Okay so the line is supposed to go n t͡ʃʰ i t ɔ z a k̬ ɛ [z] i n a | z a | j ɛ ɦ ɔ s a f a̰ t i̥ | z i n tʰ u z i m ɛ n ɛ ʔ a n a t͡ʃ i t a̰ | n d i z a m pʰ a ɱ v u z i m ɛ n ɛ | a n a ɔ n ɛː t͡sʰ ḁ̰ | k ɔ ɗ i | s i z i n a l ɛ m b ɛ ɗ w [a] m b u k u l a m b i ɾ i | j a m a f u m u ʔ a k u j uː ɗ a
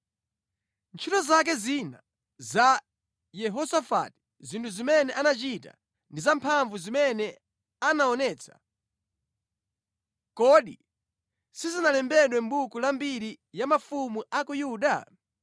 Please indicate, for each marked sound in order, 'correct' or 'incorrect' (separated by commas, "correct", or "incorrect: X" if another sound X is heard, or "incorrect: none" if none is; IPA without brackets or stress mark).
correct, incorrect: ɛ